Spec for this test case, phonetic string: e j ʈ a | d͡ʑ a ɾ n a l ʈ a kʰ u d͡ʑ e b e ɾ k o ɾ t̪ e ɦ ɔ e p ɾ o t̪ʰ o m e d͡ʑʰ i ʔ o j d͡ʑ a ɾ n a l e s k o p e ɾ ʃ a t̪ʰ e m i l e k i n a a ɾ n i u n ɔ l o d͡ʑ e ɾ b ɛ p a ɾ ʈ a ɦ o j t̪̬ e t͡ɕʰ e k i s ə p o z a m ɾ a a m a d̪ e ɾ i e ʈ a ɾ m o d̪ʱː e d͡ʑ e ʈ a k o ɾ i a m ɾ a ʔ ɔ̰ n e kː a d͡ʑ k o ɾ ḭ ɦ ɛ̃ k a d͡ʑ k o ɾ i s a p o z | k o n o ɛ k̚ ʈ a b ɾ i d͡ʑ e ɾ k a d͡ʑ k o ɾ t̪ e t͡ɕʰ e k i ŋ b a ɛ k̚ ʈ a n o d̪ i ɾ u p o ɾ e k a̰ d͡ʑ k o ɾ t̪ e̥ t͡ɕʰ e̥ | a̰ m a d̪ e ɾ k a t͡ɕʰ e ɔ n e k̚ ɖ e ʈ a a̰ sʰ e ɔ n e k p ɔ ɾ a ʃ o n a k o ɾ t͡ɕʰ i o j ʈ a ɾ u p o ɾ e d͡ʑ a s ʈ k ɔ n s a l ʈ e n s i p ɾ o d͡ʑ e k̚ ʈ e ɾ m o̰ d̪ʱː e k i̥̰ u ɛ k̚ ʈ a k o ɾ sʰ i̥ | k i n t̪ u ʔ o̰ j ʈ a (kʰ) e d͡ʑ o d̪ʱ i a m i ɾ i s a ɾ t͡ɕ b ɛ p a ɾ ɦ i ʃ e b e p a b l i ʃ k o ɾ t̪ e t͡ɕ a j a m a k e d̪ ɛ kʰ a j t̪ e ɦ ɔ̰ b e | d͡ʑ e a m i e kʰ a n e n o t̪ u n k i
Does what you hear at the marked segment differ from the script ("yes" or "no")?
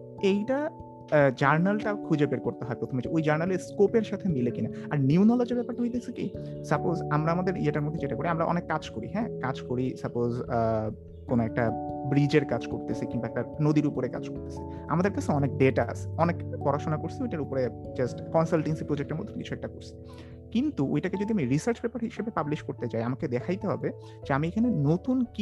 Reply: yes